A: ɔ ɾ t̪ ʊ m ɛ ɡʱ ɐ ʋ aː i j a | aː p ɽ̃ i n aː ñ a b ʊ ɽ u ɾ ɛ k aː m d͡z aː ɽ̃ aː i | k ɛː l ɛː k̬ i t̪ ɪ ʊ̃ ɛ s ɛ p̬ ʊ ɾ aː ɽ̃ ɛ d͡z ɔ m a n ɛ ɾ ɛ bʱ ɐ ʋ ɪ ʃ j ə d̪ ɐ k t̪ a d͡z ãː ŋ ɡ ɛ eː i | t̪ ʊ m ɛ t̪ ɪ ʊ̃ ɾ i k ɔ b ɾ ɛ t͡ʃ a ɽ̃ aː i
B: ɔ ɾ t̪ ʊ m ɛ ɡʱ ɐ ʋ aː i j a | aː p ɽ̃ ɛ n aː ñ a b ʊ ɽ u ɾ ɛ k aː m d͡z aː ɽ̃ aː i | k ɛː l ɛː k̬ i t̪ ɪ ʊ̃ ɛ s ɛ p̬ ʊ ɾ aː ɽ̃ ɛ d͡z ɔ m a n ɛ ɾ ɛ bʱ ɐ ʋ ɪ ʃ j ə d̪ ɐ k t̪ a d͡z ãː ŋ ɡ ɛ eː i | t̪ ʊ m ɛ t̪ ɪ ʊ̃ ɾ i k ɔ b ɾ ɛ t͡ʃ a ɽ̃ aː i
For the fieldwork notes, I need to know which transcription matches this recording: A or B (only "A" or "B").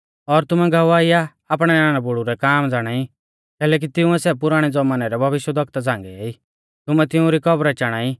B